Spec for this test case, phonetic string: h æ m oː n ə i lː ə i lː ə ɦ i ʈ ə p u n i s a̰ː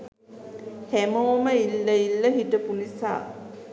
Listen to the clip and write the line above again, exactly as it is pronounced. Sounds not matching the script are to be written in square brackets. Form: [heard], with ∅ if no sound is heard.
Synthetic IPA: h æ m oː [m] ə i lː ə i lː ə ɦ i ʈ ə p u n i s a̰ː